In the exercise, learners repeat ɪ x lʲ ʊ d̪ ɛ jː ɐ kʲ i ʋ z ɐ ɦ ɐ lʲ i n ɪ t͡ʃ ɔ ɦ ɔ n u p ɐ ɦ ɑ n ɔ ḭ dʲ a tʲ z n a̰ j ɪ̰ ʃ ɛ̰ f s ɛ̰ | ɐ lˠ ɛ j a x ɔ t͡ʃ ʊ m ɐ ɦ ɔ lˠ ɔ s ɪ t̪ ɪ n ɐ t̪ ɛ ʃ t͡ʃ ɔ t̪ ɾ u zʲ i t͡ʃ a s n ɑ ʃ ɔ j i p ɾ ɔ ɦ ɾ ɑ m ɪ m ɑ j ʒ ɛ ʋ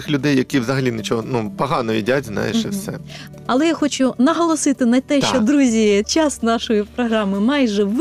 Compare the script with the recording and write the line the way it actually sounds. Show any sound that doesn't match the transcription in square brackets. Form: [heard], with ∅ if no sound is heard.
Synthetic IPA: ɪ x lʲ ʊ d̪ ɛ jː ɐ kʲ i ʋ z ɐ ɦ ɐ lʲ i n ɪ t͡ʃ ɔ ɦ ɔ n u p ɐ ɦ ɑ n ɔ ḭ dʲ a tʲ z n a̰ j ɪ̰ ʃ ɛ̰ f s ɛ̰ | ɐ lˠ ɛ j a x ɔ t͡ʃ ʊ [n] ɐ ɦ ɔ lˠ ɔ s ɪ t̪ ɪ n ɐ t̪ ɛ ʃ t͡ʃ ɔ [d̪] ɾ u zʲ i t͡ʃ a s n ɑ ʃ ɔ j i p ɾ ɔ ɦ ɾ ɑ m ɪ m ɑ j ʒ ɛ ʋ